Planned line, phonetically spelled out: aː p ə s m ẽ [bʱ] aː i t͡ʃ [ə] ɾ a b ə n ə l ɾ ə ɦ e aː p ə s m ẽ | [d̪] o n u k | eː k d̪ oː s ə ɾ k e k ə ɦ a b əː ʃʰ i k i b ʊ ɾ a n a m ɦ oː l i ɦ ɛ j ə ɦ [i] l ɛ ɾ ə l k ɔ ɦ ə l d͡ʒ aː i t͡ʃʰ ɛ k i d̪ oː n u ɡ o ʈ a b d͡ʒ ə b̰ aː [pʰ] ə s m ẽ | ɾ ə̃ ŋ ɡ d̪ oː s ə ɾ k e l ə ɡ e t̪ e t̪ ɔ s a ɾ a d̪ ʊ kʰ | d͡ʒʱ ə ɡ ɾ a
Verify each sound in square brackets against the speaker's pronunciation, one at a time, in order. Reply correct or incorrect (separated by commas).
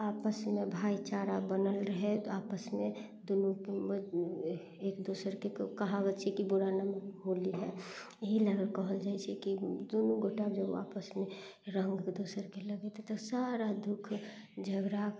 correct, incorrect, correct, correct, incorrect